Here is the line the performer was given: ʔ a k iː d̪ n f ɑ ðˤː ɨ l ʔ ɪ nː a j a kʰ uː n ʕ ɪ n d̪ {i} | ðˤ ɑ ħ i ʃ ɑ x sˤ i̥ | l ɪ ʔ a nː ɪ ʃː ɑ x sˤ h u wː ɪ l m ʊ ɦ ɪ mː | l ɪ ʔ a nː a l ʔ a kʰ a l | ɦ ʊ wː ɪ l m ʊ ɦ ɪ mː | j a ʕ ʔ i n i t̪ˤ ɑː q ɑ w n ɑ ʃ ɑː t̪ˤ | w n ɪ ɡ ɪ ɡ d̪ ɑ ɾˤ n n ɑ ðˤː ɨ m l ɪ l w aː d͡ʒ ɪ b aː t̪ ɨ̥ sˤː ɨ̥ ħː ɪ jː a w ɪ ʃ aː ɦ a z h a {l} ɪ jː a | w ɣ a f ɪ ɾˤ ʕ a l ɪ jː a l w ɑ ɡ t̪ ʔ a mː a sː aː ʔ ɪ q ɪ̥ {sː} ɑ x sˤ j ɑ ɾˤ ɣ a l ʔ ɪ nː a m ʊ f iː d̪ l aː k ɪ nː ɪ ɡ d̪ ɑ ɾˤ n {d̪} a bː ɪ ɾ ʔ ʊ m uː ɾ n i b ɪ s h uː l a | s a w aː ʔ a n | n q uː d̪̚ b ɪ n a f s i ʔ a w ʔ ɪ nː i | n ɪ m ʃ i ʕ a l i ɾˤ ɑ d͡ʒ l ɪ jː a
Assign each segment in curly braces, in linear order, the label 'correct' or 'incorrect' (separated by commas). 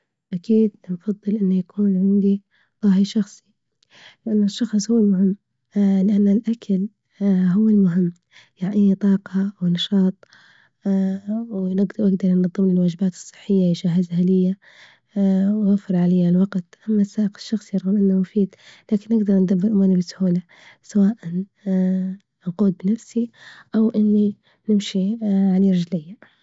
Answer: correct, correct, incorrect, correct